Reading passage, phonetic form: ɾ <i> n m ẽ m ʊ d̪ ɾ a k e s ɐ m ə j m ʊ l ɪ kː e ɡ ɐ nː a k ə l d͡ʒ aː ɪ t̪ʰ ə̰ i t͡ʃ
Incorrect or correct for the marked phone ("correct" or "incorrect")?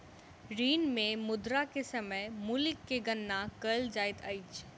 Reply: incorrect